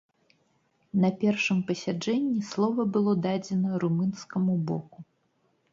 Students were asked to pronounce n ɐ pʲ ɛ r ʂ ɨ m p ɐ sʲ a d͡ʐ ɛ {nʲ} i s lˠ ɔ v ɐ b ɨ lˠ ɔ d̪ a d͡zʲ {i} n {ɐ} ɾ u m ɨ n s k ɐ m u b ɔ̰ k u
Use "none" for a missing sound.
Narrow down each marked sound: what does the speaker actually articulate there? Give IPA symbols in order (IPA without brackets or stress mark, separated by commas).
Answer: nʲː, ɛ, ɐ